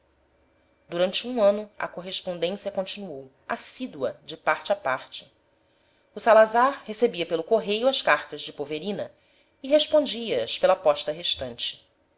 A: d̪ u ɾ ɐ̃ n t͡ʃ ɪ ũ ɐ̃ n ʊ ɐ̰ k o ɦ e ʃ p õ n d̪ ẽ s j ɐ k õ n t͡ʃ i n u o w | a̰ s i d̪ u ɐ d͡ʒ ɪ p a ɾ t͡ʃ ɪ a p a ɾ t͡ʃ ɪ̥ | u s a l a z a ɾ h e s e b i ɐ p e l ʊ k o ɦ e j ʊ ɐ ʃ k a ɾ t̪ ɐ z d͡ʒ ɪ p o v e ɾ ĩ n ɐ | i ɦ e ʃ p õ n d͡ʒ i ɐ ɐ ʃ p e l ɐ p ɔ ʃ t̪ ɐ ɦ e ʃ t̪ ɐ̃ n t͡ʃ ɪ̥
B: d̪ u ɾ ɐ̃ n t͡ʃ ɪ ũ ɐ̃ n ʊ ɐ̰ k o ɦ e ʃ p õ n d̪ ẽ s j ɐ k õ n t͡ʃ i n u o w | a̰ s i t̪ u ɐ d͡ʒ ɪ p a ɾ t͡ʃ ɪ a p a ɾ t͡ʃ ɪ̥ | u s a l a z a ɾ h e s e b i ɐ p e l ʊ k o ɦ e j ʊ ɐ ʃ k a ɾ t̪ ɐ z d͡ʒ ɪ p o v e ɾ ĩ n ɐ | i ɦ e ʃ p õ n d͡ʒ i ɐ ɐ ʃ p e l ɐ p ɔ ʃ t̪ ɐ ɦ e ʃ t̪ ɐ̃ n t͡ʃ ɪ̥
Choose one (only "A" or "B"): A